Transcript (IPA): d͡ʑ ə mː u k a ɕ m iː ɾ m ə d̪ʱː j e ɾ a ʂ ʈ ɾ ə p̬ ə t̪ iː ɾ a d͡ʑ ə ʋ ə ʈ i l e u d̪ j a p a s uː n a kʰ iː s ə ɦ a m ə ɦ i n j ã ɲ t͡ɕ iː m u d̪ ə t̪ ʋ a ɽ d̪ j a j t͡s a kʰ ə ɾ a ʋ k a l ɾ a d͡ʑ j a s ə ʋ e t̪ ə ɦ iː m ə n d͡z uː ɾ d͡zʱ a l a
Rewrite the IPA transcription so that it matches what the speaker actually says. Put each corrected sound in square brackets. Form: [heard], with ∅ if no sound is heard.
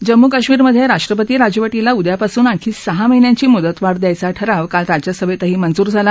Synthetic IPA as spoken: d͡ʑ ə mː u k a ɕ m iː ɾ m ə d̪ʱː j e ɾ a ʂ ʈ ɾ ə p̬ ə t̪ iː ɾ a d͡ʑ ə ʋ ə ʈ i l [a] u d̪ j a p a s uː n a kʰ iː s ə ɦ a m ə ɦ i n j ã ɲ t͡ɕ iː m u d̪ ə t̪ ʋ a ɽ d̪ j a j t͡s a [ʈʰ] ə ɾ a ʋ k a l ɾ a d͡ʑ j a s ə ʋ e t̪ ə ɦ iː m ə n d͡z uː ɾ d͡zʱ a l a